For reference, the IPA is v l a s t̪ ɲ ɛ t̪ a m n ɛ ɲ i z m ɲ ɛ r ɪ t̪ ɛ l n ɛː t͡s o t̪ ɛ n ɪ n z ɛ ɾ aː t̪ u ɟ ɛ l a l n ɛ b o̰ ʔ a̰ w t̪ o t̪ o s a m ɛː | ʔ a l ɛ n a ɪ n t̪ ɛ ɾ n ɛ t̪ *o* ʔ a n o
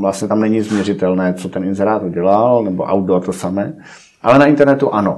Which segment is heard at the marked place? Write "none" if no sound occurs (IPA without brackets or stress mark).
u